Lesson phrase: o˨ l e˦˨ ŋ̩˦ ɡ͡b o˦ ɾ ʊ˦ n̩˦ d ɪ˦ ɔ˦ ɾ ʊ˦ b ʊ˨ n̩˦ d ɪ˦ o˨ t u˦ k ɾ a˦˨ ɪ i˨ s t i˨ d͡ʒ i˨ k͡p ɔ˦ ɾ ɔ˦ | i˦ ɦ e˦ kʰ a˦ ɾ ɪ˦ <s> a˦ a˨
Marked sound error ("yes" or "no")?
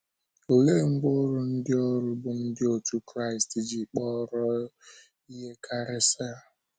no